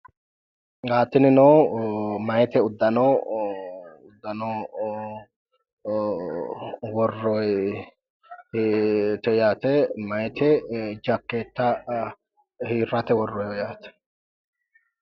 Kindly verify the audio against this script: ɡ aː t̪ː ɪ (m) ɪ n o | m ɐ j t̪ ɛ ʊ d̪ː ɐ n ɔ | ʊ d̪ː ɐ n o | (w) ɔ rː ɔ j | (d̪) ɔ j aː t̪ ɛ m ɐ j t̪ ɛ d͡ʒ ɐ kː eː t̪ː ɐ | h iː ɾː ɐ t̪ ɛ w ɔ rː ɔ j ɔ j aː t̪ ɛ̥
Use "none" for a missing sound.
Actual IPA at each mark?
n, w, t̪

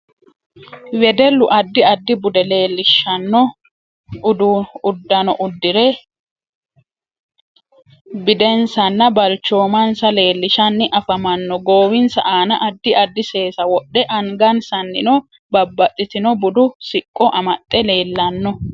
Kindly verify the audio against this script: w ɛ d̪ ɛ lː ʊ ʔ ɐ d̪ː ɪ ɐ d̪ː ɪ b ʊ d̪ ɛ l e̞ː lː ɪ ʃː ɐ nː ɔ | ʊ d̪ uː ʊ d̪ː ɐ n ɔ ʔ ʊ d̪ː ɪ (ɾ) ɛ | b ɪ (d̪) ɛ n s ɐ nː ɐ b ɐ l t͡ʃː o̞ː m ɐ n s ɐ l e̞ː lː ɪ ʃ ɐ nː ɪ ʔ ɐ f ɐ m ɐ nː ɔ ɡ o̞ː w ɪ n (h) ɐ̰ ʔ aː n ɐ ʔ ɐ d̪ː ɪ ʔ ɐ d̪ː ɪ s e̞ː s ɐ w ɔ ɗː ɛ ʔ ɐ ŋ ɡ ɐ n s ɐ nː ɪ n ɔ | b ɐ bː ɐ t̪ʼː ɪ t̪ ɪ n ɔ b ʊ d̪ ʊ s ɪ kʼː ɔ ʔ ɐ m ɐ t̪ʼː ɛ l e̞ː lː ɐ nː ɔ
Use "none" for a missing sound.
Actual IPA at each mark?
ɾ, d̪, s

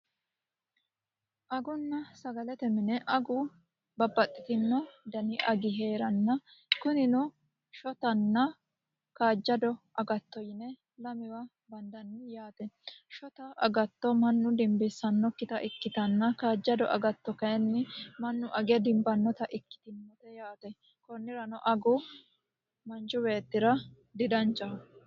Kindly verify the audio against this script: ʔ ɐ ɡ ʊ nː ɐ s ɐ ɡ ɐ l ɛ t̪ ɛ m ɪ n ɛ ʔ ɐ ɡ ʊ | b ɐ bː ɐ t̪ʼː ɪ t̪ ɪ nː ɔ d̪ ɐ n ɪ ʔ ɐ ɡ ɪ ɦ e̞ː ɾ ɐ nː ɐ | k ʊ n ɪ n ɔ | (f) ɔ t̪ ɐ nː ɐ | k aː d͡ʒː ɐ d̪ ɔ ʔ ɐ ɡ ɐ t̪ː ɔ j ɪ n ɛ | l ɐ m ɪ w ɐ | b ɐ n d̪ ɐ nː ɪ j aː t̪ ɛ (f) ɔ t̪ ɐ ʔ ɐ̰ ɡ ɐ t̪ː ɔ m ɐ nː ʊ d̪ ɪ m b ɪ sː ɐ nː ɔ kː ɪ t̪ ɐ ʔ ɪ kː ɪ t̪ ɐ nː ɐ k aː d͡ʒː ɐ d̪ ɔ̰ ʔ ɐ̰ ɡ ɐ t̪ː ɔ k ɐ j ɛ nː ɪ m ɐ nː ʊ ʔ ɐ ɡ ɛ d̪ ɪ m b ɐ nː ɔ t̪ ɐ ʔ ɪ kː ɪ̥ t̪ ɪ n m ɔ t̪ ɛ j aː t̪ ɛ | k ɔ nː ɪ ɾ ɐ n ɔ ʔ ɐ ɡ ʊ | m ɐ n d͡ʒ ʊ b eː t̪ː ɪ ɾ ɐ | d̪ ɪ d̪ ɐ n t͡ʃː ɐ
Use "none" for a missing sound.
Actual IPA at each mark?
ʃ, ʃ

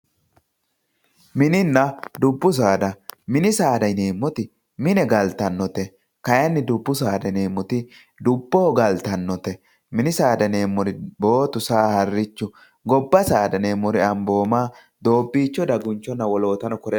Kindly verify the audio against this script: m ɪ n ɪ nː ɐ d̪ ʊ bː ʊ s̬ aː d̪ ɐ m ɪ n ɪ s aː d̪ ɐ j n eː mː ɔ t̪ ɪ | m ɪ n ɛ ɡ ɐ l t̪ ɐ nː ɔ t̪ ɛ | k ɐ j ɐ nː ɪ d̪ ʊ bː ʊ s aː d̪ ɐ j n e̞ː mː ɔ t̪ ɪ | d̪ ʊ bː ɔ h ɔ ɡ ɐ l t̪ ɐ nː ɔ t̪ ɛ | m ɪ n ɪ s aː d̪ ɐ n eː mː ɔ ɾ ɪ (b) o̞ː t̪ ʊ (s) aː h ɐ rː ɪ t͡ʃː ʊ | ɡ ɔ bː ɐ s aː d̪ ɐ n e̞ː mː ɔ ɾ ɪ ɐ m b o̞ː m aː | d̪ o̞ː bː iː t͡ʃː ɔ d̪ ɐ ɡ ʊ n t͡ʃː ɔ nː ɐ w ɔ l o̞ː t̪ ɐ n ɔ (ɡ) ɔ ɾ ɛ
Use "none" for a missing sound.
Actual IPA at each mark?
b, s, k

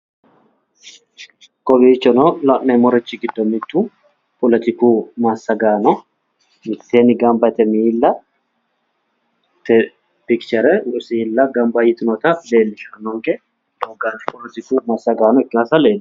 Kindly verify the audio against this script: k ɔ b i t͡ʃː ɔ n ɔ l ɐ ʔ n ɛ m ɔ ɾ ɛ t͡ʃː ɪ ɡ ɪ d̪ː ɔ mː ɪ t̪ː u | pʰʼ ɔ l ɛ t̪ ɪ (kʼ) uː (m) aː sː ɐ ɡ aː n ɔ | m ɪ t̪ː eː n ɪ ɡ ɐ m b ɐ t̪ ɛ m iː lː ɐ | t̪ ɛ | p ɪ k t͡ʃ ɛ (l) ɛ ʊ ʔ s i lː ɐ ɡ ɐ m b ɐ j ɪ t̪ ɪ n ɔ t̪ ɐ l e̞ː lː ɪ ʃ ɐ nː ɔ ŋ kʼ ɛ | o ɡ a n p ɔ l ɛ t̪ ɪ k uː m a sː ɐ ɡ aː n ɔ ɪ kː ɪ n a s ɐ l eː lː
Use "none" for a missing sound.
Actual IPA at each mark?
k, m, ɾ

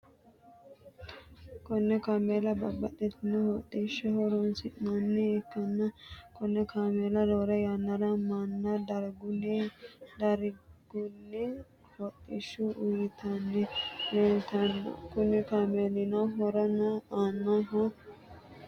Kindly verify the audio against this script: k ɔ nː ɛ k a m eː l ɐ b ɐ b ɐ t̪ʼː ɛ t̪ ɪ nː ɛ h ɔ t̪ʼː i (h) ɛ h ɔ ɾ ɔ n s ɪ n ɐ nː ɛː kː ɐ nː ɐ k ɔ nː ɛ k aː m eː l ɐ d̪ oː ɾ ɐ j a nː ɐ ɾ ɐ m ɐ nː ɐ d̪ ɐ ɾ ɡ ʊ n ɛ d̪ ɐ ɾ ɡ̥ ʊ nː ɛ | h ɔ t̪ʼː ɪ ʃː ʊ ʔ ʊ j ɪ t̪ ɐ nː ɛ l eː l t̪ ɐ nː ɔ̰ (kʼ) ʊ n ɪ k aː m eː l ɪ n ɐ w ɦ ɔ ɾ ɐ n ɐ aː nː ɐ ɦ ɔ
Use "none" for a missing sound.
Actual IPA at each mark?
ʃ, k

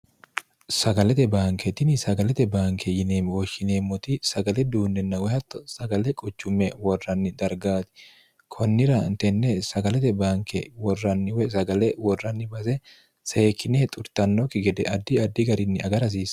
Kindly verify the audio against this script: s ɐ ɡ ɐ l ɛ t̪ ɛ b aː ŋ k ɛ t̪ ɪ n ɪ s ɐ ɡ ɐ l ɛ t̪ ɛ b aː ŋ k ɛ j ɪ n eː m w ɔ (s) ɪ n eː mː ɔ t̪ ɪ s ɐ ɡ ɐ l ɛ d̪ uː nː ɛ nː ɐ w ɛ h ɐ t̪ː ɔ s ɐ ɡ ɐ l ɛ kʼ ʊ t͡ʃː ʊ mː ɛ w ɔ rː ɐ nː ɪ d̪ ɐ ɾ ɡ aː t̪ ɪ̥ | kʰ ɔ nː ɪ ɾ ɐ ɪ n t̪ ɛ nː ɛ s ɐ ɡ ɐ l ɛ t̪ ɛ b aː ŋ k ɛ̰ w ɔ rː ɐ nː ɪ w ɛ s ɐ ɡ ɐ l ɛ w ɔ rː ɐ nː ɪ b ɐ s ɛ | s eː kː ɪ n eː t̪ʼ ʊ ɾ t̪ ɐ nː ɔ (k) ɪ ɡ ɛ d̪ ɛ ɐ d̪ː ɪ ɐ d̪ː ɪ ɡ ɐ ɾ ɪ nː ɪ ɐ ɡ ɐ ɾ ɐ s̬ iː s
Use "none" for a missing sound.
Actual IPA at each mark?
ʃ, k

